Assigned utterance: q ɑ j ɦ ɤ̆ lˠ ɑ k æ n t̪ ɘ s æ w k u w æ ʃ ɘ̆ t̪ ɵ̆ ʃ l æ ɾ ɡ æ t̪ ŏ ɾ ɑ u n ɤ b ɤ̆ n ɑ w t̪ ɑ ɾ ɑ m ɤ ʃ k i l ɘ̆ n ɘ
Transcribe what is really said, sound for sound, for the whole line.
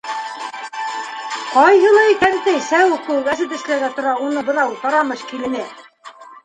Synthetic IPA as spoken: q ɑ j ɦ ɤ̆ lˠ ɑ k æ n t̪ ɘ s æ w k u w æ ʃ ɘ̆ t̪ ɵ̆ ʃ l æ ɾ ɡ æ t̪ ŏ ɾ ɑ u n ɤ b ɤ̆ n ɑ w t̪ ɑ ɾ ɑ m ɤ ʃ k i l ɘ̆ n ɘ